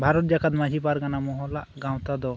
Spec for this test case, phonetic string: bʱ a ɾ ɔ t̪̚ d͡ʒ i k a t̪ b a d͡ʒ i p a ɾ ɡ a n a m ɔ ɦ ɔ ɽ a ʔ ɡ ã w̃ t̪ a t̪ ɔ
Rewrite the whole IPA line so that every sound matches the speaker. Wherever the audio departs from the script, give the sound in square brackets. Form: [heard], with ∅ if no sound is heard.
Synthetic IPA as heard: bʱ a ɾ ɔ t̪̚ d͡ʒ [a] k a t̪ [m] a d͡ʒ i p a ɾ ɡ a n a m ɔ ɦ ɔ [l] a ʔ ɡ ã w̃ t̪ a [d̪] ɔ